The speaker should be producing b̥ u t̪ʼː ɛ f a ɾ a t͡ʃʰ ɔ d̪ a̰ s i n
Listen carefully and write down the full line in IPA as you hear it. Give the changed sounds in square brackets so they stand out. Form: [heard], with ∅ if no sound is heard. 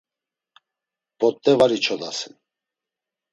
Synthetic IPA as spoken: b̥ [ɔ] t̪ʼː ɛ [v] a ɾ [i] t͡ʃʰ ɔ d̪ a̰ s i n